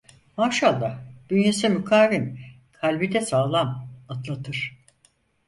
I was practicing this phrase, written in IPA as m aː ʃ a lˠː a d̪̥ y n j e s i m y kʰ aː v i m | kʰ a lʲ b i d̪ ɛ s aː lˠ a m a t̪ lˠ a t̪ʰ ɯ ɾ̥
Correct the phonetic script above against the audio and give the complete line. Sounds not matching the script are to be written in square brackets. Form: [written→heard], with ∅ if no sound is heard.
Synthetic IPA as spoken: m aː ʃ a lˠː a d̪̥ y n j e s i m y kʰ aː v i m | kʰ a lʲ b i d̪ ɛ s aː lˠ a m a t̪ lˠ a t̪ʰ ɯ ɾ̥